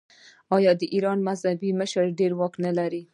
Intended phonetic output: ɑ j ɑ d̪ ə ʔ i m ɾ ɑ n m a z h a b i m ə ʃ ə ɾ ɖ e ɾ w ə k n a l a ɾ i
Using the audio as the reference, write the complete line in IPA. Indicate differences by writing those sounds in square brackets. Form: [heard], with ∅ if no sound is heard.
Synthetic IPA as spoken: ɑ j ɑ d̪ ə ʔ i [∅] ɾ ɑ n m a z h a b i m ə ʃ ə ɾ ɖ e ɾ w [ɑ] k n a l a ɾ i

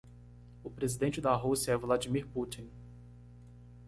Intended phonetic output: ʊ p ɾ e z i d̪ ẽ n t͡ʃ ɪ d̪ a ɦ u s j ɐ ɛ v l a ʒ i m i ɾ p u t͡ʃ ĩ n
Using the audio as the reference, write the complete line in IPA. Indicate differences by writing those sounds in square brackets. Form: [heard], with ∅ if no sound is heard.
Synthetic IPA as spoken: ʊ p ɾ e z i d̪ ẽ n t͡ʃ ɪ d̪ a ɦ u s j ɐ ɛ v l a [d͡ʒ] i m i ɾ p u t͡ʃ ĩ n

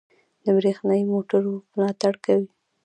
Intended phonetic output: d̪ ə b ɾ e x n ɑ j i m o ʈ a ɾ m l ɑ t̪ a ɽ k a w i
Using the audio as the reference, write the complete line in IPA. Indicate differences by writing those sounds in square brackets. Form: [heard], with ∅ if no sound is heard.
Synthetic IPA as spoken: d̪ ə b ɾ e x n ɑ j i m o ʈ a ɾ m l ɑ t̪ a ɽ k a w i

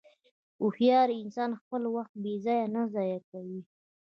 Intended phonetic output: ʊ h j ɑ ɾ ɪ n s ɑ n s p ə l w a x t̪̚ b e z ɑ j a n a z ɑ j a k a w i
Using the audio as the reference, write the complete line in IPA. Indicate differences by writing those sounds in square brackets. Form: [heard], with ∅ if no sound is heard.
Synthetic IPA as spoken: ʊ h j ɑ ɾ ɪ n s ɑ n [x] p ə l w a x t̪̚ b e z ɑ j a n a z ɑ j a k a w i

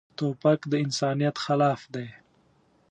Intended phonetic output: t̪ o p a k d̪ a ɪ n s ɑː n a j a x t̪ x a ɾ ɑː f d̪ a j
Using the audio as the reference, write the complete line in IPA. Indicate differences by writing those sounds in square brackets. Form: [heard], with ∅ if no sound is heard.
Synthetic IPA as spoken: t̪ o p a k d̪ [ə] ɪ n s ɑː n [i] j a [∅] t̪ x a [l] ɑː f d̪ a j

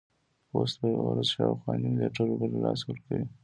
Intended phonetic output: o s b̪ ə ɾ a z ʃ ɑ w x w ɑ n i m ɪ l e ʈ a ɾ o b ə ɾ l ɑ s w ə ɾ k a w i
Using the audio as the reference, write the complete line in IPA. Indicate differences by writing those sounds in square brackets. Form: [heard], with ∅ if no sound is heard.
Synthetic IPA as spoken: o s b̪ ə ɾ a z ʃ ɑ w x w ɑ n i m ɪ l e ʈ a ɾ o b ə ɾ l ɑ s w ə ɾ k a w i

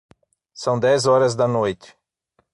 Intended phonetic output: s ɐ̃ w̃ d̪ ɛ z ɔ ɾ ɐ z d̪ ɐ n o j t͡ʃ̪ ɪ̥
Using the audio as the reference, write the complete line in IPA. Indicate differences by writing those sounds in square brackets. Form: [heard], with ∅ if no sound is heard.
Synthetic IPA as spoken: s ɐ̃ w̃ d̪ ɛ z ɔ ɾ ɐ z d̪ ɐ n o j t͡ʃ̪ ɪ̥

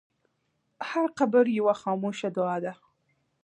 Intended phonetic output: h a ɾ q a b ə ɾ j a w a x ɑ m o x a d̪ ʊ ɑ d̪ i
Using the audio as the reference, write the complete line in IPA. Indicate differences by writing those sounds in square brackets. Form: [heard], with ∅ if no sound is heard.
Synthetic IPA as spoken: h a ɾ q a b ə ɾ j a w a x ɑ m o [ʃ] a d̪ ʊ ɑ d̪ [a]

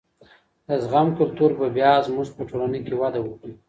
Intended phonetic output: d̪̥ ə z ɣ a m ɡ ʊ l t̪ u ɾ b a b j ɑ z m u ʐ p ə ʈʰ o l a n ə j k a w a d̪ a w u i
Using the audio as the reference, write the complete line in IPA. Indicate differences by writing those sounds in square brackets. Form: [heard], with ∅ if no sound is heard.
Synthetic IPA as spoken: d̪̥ ə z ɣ a m [k] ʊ l t̪ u ɾ b a b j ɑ z m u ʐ p ə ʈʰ o l a n ə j k [e] w a d̪ a w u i

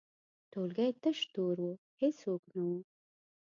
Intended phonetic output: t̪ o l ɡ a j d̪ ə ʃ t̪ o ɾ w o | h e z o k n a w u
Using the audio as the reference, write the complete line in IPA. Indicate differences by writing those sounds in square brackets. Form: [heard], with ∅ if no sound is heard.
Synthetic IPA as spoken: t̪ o l ɡ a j [t̪] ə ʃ t̪ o ɾ w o | h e [s] o k n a w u

